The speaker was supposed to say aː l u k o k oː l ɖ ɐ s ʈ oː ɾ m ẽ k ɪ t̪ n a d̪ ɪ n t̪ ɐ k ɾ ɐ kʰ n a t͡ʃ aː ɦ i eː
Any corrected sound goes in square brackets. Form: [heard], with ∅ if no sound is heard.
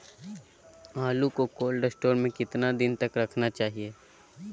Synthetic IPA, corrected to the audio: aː l u k o k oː l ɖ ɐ s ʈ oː ɾ m ẽ k ɪ t̪ n a d̪ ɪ n t̪ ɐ k ɾ ɐ kʰ n a t͡ʃ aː ɦ i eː